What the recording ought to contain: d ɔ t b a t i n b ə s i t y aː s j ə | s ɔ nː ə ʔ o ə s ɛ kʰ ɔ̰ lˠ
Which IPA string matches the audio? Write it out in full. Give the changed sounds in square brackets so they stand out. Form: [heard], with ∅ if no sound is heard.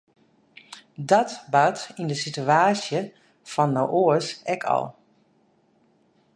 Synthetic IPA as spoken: d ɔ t b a t i n [d] ə s i t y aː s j ə | [f] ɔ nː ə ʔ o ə s ɛ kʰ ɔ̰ lˠ